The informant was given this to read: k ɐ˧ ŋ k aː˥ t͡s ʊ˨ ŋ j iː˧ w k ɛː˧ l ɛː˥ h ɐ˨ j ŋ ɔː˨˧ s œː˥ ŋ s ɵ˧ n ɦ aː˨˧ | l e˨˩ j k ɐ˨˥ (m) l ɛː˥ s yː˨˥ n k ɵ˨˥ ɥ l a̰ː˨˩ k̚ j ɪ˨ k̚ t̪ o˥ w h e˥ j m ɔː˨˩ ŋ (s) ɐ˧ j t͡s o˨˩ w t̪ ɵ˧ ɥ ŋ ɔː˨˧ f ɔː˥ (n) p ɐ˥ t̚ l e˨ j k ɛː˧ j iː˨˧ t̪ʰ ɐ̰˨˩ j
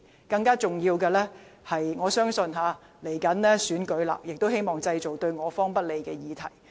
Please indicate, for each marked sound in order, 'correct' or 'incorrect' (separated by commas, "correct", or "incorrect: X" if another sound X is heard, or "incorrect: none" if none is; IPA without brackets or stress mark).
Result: incorrect: n, incorrect: t͡s, incorrect: ŋ